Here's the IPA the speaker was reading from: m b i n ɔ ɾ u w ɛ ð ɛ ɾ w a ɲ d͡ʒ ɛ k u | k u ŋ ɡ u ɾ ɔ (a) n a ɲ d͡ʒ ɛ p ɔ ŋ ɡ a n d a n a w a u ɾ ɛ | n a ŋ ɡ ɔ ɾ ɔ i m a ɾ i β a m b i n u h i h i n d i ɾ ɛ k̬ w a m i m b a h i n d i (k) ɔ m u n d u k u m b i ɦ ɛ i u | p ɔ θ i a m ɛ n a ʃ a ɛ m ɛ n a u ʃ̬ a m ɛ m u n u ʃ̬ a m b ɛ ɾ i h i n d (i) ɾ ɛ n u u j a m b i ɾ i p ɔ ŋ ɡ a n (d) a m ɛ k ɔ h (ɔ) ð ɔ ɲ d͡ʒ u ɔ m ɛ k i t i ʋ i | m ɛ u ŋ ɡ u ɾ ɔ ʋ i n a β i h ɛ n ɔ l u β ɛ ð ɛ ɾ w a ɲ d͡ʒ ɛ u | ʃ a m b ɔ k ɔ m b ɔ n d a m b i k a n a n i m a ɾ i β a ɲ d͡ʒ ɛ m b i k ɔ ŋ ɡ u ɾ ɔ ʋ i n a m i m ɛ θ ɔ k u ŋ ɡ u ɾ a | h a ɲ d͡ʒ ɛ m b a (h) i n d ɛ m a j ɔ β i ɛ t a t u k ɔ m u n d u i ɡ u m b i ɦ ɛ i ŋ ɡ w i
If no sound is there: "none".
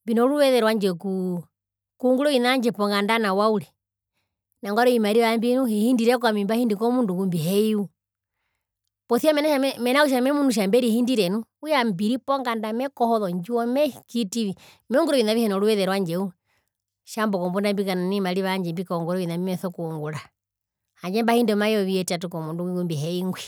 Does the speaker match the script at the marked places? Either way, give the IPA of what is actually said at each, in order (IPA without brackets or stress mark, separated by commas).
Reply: i, k, i, d, ɔ, h